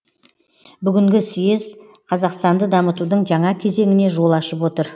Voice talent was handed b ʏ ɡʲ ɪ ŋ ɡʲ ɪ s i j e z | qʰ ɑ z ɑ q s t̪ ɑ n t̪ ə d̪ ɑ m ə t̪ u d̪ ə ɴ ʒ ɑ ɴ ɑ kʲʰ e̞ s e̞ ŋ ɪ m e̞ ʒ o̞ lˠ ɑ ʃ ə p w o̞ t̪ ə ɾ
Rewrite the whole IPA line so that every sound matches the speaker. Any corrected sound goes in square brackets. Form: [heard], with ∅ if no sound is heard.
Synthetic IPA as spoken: b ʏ ɡʲ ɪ ŋ ɡʲ ɪ s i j e z | qʰ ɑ z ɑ q s t̪ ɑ n [d̪] ə d̪ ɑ m ə t̪ u d̪ ə ɴ ʒ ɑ ɴ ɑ kʲʰ e̞ [z] e̞ ŋ ɪ [n] e̞ ʒ o̞ lˠ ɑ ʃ ə p w o̞ t̪ ə ɾ